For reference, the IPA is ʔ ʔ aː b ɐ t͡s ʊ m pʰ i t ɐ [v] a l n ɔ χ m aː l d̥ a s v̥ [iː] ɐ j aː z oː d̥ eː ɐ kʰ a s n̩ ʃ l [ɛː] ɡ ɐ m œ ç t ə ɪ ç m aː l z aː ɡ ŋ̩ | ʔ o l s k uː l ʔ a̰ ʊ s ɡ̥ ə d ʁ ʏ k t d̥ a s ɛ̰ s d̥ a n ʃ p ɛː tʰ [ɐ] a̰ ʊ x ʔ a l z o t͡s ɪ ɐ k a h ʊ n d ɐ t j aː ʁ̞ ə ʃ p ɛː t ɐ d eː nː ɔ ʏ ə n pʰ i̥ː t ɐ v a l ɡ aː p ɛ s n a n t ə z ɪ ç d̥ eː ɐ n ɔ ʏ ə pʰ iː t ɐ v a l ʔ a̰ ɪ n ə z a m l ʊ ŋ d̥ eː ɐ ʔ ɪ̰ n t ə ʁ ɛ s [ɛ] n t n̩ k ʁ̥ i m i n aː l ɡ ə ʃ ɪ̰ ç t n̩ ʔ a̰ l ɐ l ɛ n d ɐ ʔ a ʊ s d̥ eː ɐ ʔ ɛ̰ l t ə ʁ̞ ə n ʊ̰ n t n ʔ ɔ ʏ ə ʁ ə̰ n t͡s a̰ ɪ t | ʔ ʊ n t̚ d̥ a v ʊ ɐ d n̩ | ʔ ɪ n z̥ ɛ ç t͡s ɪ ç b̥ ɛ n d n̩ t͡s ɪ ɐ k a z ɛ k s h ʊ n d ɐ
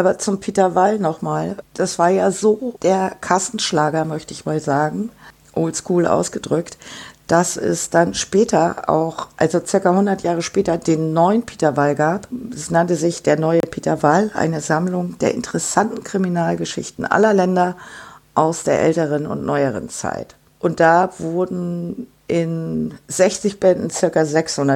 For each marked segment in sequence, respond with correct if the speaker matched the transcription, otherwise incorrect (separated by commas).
correct, incorrect, incorrect, correct, incorrect